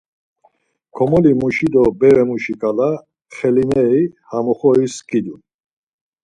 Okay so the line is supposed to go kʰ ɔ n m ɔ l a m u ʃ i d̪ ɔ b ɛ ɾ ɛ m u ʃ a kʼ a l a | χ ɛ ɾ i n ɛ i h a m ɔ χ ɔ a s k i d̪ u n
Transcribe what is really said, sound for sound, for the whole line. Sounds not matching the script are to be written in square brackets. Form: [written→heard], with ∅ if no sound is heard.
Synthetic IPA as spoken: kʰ ɔ [n→∅] m ɔ l [a→i] m u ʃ i d̪ ɔ b ɛ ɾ ɛ m u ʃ [a→i] kʼ a l a | χ ɛ [ɾ→l] i n ɛ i h a m ɔ χ ɔ [a→i] s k i d̪ u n